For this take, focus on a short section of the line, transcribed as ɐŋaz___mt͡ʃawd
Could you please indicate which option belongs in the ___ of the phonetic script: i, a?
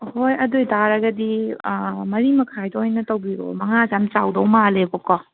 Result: a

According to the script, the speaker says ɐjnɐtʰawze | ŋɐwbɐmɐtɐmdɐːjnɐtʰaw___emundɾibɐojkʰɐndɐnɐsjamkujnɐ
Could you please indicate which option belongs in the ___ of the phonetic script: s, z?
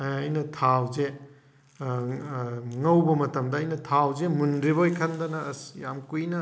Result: z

